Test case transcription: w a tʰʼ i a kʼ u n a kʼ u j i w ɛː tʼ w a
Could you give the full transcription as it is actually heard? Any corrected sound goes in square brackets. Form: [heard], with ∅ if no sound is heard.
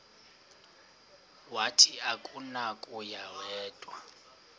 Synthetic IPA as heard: w a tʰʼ i a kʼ u n a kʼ u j [a] w ɛː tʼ w a